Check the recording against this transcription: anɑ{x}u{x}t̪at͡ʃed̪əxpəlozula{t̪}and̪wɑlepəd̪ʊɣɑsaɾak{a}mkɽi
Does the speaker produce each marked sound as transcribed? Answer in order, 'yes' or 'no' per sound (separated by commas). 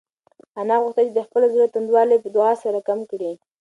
no, yes, yes, yes